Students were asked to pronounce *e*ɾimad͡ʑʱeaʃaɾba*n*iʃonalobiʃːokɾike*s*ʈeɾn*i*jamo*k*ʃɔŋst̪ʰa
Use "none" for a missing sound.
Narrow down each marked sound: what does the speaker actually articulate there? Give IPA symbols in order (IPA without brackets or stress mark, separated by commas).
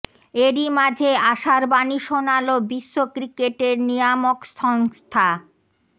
e, n, none, i, k